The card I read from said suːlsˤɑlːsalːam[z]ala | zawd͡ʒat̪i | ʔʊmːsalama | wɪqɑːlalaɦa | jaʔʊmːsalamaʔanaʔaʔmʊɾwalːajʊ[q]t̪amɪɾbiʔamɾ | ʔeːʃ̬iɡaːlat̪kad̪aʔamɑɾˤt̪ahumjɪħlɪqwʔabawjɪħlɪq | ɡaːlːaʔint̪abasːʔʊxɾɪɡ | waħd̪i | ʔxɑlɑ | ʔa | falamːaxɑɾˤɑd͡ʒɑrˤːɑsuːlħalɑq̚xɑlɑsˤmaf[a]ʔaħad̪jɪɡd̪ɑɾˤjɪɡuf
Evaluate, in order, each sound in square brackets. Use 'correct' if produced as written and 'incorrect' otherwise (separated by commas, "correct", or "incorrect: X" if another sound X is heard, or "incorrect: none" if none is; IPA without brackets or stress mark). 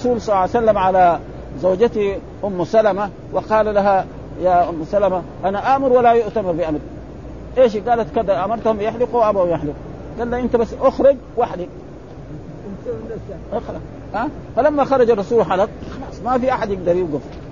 incorrect: ʕ, incorrect: ʔ, incorrect: i